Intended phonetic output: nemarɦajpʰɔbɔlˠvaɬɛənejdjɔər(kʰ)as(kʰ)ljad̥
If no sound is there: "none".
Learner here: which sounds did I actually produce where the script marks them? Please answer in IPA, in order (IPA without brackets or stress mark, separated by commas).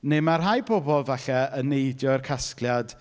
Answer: kʰ, k